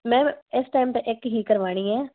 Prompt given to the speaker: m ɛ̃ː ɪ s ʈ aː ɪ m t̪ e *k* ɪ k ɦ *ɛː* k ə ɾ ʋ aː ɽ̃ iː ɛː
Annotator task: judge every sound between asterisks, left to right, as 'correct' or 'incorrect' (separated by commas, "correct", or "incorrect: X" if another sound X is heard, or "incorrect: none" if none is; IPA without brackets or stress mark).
incorrect: ʔ, incorrect: iː